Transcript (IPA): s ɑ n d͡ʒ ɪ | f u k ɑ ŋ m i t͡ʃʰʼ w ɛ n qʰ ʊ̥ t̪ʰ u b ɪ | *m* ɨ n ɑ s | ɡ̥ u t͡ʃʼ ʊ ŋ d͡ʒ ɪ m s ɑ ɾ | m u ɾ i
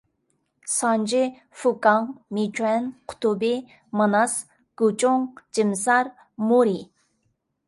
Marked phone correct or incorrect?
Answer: correct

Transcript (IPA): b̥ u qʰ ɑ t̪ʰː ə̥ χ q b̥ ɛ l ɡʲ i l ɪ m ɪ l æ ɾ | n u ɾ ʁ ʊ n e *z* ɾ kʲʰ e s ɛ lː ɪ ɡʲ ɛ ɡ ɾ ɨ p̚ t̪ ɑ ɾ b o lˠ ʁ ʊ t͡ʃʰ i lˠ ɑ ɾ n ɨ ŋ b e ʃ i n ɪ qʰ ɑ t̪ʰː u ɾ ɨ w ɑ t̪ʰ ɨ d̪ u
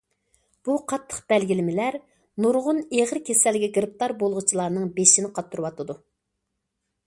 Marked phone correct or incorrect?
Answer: incorrect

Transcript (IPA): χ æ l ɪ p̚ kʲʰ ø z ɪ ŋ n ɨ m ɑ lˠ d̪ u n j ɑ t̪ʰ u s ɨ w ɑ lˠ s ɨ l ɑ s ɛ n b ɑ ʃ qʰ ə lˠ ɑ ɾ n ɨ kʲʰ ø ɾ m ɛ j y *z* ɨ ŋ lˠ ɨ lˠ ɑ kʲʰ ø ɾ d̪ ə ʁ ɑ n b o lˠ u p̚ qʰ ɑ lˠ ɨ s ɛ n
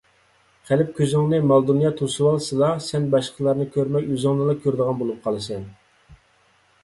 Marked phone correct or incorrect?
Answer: correct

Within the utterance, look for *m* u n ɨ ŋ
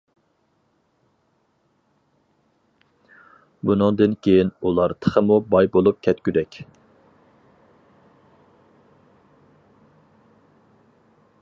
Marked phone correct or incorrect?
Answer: incorrect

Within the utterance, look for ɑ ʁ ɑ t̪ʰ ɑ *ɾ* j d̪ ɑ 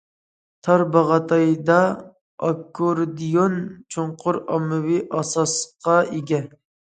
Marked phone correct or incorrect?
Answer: incorrect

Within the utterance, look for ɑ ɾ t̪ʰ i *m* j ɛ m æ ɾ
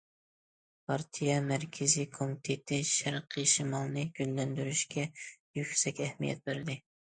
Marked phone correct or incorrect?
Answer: incorrect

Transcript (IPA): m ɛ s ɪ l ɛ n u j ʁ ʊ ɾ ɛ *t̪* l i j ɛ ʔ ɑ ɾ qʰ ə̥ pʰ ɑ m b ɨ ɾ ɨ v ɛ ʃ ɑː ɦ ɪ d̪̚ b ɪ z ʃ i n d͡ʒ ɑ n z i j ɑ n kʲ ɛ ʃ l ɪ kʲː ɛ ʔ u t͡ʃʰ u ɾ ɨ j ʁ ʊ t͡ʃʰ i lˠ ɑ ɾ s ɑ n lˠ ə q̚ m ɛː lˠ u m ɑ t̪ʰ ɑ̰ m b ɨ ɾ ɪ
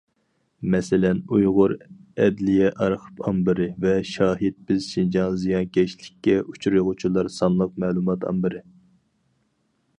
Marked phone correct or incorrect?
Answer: incorrect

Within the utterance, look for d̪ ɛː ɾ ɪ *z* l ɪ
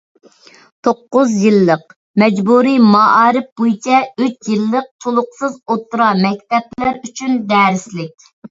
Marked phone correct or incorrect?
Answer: incorrect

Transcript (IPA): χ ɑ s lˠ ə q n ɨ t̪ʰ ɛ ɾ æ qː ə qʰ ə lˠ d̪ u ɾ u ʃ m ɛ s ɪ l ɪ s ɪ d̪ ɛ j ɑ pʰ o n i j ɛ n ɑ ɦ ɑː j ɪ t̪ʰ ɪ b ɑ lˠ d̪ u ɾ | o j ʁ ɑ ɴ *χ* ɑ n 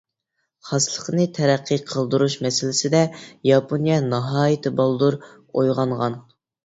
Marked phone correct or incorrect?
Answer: incorrect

